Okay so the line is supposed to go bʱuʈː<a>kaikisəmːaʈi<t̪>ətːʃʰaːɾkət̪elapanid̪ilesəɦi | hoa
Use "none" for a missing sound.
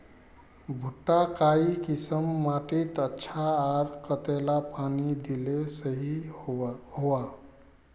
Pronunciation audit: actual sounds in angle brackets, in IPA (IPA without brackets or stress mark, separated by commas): a, t̪